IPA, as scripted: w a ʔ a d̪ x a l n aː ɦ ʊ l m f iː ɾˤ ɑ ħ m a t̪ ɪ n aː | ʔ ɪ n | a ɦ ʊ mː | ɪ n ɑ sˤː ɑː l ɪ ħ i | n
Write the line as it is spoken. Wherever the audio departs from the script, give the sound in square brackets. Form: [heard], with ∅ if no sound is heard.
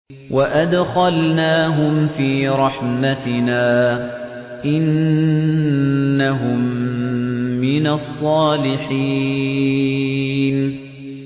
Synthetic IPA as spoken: w a ʔ a d̪ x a l n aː ɦ ʊ [∅] m f iː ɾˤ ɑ ħ m a t̪ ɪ n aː | ʔ ɪ n | a ɦ ʊ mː | ɪ n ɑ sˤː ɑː l ɪ ħ i | n